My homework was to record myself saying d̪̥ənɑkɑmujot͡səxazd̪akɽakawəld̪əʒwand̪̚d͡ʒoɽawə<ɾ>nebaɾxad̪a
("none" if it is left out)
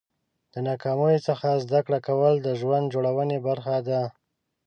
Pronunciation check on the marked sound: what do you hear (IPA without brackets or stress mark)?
none